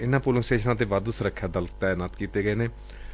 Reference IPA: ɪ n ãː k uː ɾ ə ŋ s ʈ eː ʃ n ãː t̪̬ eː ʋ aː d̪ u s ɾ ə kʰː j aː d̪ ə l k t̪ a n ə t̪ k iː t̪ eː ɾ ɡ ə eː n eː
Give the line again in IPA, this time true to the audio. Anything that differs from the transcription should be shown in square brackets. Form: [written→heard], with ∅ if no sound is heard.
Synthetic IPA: ɪ n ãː [k→p] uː [ɾ→l] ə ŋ s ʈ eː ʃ n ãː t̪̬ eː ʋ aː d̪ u s ɾ ə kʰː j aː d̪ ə l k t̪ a n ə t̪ k iː t̪ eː [ɾ→∅] ɡ ə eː n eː

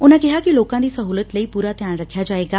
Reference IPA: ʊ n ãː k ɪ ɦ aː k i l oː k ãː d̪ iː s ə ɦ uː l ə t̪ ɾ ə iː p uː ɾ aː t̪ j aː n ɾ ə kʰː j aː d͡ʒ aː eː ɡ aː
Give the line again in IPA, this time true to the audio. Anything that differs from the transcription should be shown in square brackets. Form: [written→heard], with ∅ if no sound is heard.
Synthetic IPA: ʊ n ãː k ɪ ɦ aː k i l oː k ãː d̪ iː s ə ɦ uː l ə t̪ [ɾ→l] ə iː p uː ɾ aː t̪ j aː n ɾ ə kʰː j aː d͡ʒ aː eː ɡ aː

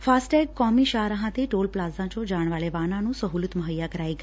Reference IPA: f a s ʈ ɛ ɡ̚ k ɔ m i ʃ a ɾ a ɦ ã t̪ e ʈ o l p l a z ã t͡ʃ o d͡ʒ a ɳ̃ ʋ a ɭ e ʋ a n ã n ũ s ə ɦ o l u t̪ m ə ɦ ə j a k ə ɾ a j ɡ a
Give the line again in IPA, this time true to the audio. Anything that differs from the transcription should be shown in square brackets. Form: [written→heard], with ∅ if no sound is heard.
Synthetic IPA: f a s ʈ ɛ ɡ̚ k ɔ m i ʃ a ɾ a ɦ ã t̪ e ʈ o l p l a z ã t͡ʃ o d͡ʒ a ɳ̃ ʋ a ɭ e ʋ a n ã n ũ s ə ɦ [o→u] l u t̪ m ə ɦ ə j a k ə ɾ a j ɡ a

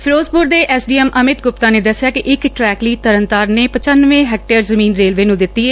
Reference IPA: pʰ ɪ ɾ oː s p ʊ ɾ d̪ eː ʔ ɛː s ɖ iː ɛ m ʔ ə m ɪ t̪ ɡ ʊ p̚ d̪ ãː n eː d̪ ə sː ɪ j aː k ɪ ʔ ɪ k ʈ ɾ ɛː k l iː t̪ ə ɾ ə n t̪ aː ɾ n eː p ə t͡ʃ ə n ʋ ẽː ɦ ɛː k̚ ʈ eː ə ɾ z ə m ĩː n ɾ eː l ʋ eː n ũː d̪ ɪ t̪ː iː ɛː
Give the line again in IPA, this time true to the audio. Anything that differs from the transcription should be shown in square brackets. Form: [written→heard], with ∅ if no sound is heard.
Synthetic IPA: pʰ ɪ ɾ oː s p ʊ ɾ d̪ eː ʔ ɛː s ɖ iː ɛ m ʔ ə m ɪ t̪ ɡ ʊ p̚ [d̪→t̪] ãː n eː d̪ ə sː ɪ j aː k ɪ ʔ ɪ k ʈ ɾ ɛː k l iː t̪ ə ɾ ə n t̪ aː ɾ n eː p ə t͡ʃ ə n ʋ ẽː ɦ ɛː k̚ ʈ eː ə ɾ z ə m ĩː n ɾ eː l ʋ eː n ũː d̪ ɪ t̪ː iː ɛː

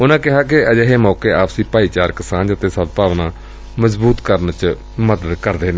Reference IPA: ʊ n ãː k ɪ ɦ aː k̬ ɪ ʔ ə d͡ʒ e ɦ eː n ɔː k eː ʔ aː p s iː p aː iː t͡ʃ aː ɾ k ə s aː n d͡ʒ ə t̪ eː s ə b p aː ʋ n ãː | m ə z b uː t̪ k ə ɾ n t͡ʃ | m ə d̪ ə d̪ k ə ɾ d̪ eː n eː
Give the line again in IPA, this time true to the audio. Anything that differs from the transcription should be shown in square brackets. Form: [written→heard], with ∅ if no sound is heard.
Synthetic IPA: ʊ n ãː k ɪ ɦ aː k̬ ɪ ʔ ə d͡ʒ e ɦ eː [n→m] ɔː k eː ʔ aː p s iː p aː iː t͡ʃ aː ɾ k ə s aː n d͡ʒ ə t̪ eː s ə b p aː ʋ n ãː | m ə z b uː t̪ k ə ɾ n t͡ʃ | m ə d̪ ə d̪ k ə ɾ d̪ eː n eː

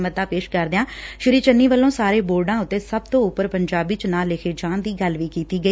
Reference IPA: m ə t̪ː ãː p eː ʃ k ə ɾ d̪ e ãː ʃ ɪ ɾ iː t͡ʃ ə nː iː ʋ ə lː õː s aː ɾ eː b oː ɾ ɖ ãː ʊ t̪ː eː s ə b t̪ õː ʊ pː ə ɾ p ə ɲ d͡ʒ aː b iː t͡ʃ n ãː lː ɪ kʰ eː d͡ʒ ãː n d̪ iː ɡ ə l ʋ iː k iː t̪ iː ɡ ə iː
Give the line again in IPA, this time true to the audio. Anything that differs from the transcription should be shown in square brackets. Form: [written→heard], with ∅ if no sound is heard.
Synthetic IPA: m ə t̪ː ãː p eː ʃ k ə ɾ d̪ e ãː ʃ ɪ ɾ iː t͡ʃ ə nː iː ʋ ə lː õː s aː ɾ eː b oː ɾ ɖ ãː ʊ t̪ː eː s ə b t̪ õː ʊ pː ə ɾ p ə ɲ d͡ʒ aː b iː t͡ʃ n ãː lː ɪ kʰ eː d͡ʒ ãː n d̪ iː ɡ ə l ʋ iː k iː t̪ iː ɡ ə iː

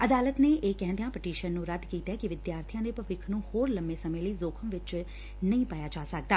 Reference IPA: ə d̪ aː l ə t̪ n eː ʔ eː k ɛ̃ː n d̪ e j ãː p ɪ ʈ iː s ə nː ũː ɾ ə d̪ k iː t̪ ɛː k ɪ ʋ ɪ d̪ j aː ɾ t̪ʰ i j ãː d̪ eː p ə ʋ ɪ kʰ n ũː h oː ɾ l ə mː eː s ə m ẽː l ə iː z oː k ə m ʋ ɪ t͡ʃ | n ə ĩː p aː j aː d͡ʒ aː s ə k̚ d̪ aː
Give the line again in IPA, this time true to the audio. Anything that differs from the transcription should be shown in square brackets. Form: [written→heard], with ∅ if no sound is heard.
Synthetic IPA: ə d̪ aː l ə t̪ n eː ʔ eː k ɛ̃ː n d̪ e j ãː p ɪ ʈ iː [s→ʃ] ə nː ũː ɾ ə d̪ k iː t̪ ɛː k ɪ ʋ ɪ d̪ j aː ɾ t̪ʰ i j ãː d̪ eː p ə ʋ ɪ kʰ n ũː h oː ɾ l ə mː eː s ə m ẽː l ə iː z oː [k→kʰ] ə m ʋ ɪ t͡ʃ | n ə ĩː p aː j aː d͡ʒ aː s ə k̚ d̪ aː

